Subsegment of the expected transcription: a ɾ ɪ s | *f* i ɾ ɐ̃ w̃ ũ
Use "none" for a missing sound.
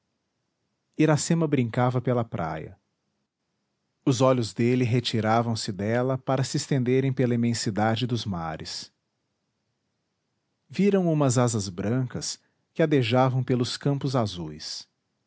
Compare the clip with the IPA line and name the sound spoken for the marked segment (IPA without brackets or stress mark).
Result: v